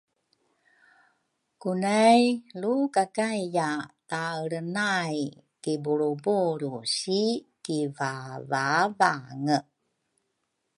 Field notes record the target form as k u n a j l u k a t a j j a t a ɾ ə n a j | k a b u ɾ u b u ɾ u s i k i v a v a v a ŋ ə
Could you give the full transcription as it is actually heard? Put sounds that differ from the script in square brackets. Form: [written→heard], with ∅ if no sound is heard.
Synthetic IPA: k u n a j l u k a [t→k] a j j a t a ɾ ə n a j | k [a→i] b u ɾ u b u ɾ u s i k i v a v a v a ŋ ə